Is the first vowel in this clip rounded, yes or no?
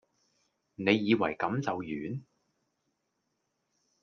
no